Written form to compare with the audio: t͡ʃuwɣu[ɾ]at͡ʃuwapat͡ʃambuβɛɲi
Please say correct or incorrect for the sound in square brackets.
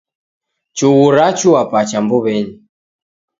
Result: correct